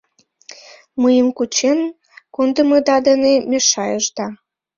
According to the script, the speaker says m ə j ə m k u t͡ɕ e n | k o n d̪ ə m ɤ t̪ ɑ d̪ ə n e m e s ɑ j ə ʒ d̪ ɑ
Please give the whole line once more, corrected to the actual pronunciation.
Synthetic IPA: m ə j ə m k u t͡ɕ e n | k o n d̪ ə m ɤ d̪ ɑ d̪ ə n e m e ʃ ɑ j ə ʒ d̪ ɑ